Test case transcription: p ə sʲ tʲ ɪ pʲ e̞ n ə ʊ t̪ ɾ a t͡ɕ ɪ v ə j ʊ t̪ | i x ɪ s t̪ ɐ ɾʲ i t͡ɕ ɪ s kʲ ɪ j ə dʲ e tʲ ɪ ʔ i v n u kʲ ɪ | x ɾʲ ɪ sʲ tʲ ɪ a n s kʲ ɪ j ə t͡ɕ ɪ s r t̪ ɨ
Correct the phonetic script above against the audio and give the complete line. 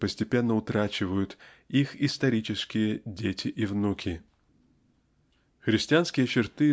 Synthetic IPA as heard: p ə sʲ tʲ ɪ pʲ e̞ nː ə ʊ t̪ ɾ a t͡ɕ ɪ v ə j ʊ t̪ | i x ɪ s t̪ ɐ ɾʲ i t͡ɕ ɪ s kʲ ɪ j ə dʲ e tʲ ɪ ʔ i v n u kʲ ɪ | x ɾʲ ɪ sʲ tʲ ɪ a n s kʲ ɪ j ə t͡ɕ ɪ r t̪ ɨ